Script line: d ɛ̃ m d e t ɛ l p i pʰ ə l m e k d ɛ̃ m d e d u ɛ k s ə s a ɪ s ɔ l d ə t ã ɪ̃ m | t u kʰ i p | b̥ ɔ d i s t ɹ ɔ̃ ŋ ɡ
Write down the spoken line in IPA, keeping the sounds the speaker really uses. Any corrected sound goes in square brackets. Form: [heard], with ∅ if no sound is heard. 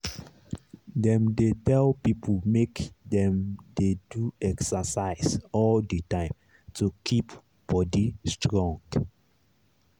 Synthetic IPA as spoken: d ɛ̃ m d e t ɛ l p i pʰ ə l m e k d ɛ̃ m d e d u ɛ k s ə s a ɪ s ɔ l d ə t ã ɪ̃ m | t u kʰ i p | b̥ ɔ d i s t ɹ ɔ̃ ŋ ɡ